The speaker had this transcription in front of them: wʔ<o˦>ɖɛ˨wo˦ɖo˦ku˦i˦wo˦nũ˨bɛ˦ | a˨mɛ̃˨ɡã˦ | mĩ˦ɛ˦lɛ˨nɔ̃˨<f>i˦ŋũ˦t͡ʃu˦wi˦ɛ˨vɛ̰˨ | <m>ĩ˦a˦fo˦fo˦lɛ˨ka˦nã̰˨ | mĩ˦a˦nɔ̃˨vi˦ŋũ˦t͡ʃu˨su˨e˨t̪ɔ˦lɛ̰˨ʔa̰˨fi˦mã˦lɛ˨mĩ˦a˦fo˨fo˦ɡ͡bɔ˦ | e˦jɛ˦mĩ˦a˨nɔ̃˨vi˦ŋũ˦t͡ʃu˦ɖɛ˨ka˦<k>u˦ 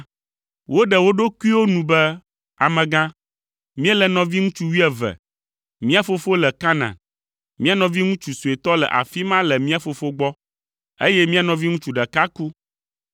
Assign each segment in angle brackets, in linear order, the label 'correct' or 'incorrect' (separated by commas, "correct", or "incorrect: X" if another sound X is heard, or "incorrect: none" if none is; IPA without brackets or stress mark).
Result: correct, incorrect: v, correct, correct